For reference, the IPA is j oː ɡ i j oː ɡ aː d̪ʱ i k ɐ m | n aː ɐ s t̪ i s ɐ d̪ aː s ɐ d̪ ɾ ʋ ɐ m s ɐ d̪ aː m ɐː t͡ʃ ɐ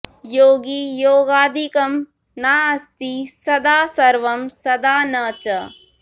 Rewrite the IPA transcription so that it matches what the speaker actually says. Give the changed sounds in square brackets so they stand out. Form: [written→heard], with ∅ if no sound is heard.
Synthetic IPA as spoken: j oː ɡ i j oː ɡ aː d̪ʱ i k ɐ m | n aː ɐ s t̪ i s ɐ d̪ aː s ɐ [d̪→∅] ɾ ʋ ɐ m s ɐ d̪ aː [m→n] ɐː t͡ʃ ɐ